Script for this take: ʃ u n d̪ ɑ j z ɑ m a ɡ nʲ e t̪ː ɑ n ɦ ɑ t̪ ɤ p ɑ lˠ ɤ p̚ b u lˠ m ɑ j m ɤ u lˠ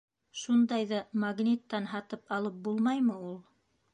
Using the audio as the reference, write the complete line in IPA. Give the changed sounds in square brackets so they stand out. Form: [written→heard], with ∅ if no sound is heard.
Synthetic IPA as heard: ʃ u n d̪ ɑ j [z→ð] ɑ m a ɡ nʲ [e→i] t̪ː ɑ n ɦ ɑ t̪ ɤ p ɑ lˠ ɤ p̚ b u lˠ m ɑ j m ɤ u lˠ